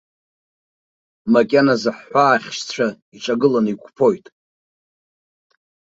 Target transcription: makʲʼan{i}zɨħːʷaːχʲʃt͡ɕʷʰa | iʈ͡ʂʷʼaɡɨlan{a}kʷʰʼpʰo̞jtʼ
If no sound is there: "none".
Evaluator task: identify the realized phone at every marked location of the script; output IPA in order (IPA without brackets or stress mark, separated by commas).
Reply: a, i